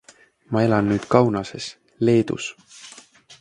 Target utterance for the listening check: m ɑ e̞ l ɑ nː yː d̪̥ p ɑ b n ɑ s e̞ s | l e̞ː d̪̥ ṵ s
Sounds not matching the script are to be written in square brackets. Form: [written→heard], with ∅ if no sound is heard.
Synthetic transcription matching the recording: m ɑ e̞ l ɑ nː yː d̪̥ [p→k] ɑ [b→w] n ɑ s e̞ s | l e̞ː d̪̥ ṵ s

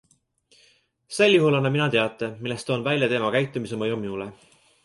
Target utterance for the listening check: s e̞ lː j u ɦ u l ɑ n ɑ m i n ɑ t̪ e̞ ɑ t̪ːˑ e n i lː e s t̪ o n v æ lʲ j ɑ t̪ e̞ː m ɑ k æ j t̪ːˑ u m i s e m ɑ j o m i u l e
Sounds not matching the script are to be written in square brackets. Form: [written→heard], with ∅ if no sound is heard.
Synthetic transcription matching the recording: s e̞ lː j u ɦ u l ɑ n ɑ m i n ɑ t̪ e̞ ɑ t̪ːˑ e [n→m] i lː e s t̪ o n v æ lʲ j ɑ t̪ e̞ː m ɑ k æ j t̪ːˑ u m i s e m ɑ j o m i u l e

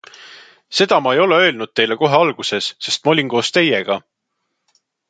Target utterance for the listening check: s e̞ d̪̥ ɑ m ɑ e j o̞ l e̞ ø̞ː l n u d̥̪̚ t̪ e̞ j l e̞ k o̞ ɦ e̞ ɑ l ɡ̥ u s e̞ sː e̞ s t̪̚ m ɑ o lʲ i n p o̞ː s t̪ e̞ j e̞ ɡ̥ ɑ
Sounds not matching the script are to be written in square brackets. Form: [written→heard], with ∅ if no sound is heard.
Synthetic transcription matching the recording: s e̞ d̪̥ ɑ m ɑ e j o̞ l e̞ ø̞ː l n u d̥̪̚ t̪ e̞ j l e̞ k o̞ ɦ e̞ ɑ l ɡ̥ u s e̞ sː e̞ s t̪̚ m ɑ o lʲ i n [p→k] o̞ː s t̪ e̞ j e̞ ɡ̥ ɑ

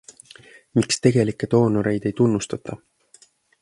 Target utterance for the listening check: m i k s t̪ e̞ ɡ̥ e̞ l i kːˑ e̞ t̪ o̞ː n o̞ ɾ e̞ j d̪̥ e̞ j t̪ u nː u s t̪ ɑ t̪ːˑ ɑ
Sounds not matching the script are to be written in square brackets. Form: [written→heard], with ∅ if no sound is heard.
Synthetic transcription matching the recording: m i k s t̪ e̞ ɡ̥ e̞ l i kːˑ e̞ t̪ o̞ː n o̞ ɾ e̞ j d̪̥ e̞ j t̪ u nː u s t̪ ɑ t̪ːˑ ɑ

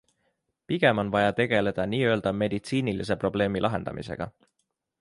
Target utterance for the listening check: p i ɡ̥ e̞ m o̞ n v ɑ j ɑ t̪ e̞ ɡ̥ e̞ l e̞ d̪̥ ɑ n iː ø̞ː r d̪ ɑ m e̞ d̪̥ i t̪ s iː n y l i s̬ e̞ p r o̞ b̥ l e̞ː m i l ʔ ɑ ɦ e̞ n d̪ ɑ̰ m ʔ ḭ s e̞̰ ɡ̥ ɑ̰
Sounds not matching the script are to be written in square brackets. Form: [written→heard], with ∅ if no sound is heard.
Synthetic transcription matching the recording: p i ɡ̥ e̞ m o̞ n v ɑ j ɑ t̪ e̞ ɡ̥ e̞ l e̞ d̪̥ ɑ n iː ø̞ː [r→l] d̪ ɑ m e̞ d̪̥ i t̪ s iː n [y→i] l i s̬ e̞ p r o̞ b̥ l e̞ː m i l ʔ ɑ ɦ e̞ n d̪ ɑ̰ m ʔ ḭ s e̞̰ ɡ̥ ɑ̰

